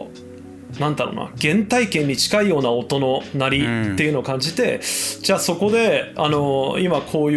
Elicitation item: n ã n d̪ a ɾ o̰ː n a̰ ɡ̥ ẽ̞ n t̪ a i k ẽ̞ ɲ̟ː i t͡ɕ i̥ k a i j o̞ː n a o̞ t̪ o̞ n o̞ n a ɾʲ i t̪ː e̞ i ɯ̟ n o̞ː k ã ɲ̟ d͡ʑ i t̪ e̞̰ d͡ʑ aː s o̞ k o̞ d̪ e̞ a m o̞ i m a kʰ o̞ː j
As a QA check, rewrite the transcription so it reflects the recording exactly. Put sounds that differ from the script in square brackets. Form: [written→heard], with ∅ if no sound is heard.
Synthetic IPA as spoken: n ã n d̪ a ɾ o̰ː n a̰ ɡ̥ ẽ̞ n t̪ a i k ẽ̞ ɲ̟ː i t͡ɕ i̥ k a i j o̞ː n a o̞ t̪ o̞ n o̞ n a ɾʲ i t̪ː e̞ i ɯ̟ n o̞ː k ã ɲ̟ d͡ʑ i t̪ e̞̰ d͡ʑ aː s o̞ k o̞ d̪ e̞ a [m→n] o̞ i m a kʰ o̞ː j